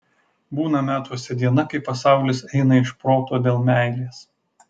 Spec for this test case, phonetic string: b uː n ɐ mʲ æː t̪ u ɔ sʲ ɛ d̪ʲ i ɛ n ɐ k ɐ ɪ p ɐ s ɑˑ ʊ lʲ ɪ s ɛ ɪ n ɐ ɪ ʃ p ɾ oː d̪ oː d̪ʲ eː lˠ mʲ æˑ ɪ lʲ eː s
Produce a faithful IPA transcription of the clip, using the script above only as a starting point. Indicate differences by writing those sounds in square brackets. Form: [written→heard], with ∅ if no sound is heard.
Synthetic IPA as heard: b uː n ɐ mʲ æː t̪ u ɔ sʲ ɛ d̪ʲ i ɛ n ɐ k ɐ ɪ p ɐ s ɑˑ ʊ lʲ ɪ s ɛ ɪ n ɐ ɪ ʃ p ɾ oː [d̪→t̪] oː d̪ʲ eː lˠ mʲ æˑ ɪ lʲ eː s